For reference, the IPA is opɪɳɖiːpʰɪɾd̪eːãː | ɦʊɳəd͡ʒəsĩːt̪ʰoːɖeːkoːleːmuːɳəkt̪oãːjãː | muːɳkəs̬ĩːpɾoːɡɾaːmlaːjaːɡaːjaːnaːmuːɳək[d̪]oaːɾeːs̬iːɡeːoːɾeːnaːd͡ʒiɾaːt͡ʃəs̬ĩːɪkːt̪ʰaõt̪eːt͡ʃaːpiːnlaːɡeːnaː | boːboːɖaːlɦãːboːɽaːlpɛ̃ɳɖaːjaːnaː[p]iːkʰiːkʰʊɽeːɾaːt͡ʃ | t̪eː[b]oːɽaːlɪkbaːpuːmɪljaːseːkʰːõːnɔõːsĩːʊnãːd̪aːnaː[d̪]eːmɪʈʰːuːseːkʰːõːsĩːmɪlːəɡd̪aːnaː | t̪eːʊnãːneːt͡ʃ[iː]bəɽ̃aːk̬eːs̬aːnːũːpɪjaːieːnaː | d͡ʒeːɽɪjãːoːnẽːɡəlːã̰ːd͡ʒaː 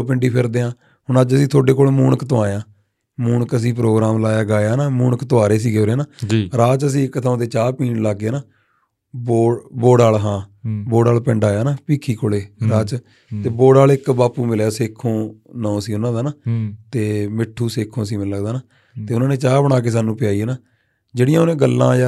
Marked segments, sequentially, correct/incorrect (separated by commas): incorrect, correct, correct, incorrect, incorrect